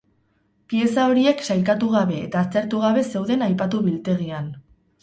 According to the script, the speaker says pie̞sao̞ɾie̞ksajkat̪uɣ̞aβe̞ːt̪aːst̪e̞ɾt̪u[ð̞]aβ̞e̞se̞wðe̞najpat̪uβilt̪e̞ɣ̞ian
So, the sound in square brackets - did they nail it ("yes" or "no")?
no